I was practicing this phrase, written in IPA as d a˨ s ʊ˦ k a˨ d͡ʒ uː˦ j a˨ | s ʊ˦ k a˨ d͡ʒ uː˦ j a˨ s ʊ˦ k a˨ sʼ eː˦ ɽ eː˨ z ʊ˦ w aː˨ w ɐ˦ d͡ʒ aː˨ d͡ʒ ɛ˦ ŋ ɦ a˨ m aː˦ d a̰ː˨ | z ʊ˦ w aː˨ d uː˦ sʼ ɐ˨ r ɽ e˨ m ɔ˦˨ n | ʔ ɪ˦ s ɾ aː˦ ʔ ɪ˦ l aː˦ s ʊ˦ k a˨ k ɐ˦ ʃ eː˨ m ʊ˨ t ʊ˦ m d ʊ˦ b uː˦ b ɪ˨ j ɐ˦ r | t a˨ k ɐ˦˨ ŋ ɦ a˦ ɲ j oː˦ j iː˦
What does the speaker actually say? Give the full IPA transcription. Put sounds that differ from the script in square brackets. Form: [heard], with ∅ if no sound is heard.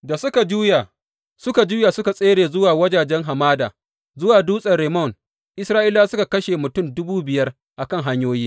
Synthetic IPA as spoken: d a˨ s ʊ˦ k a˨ d͡ʒ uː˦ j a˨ | s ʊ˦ k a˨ d͡ʒ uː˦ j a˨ s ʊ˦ k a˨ sʼ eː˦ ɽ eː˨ z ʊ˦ w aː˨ w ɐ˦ d͡ʒ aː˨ d͡ʒ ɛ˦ ŋ ɦ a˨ m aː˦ d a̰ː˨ | z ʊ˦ w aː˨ d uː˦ sʼ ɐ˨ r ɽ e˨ m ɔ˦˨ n | ʔ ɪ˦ s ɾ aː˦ ʔ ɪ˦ l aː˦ s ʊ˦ k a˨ k ɐ˦ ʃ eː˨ m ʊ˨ t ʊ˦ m d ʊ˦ b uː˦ b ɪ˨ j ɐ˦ r | [ʔ] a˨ k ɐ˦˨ ŋ ɦ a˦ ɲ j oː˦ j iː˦